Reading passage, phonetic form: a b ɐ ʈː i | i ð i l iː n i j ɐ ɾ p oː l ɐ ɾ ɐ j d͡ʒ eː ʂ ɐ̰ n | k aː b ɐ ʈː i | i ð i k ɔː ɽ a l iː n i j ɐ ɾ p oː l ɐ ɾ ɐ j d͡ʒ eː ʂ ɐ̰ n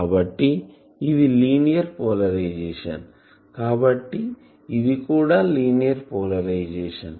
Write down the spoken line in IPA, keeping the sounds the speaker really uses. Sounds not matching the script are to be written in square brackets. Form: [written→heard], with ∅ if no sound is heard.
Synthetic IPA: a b ɐ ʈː i | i ð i l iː n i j ɐ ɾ p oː l ɐ ɾ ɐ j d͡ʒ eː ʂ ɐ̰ n | k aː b ɐ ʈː i | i ð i k [ɔː→uː] ɽ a l iː n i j ɐ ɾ p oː l ɐ ɾ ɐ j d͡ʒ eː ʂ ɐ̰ n